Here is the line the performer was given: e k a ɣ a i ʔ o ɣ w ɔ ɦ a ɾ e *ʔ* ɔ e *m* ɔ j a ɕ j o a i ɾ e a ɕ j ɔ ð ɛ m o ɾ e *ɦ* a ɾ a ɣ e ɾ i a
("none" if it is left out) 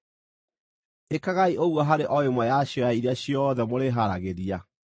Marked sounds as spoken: ʔ, m, ɦ

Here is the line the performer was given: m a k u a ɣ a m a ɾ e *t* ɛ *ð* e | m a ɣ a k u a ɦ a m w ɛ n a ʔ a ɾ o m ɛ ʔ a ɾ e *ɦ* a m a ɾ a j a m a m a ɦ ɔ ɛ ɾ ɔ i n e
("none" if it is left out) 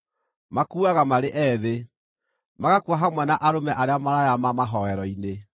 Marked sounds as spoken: ʔ, ð, none

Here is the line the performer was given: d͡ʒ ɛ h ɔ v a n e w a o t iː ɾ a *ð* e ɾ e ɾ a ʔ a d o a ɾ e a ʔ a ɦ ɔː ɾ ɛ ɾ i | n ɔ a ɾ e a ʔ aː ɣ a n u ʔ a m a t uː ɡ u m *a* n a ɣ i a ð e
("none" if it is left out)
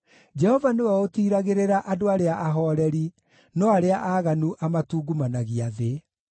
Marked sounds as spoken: ɣ, a

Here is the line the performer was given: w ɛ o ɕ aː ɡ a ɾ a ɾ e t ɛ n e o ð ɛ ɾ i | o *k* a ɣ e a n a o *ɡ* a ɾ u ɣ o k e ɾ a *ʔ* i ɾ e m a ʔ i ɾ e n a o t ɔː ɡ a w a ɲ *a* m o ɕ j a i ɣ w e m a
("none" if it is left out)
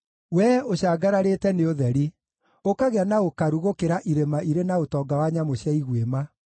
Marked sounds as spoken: k, k, ʔ, a

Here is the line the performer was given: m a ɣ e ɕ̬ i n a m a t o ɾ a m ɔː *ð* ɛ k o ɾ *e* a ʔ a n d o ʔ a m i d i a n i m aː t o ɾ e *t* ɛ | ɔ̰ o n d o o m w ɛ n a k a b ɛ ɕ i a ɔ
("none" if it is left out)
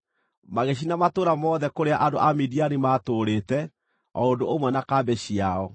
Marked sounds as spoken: ð, e, t

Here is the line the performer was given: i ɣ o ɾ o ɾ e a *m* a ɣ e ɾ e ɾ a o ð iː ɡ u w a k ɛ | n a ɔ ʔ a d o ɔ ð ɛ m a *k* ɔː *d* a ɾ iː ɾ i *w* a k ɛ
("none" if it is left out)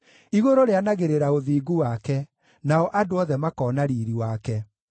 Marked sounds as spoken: n, k, n, w

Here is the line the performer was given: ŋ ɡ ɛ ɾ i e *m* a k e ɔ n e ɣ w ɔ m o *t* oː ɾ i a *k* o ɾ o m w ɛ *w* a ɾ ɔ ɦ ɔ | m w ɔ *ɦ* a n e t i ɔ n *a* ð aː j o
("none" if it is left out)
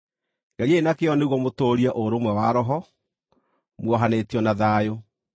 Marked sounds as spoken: n, t, ʔ, w, ɦ, a

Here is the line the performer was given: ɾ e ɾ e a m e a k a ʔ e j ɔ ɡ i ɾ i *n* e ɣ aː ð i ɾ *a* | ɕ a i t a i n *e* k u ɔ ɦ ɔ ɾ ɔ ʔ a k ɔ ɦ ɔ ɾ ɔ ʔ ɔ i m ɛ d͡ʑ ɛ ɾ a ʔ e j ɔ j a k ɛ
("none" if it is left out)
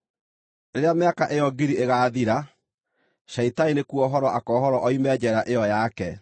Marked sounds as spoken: none, a, e

